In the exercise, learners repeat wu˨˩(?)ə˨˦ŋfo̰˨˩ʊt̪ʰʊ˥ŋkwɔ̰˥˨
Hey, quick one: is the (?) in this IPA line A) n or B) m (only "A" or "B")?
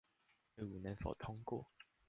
A